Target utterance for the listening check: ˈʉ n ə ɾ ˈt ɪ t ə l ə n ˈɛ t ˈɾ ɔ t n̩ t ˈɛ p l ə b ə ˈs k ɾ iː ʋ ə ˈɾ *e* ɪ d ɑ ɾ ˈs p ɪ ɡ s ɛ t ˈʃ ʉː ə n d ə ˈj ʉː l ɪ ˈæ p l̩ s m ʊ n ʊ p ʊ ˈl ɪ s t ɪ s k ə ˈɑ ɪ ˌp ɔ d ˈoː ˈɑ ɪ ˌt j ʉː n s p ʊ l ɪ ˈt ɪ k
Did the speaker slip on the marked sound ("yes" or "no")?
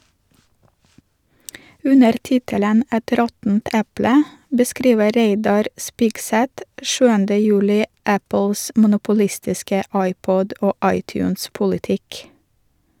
no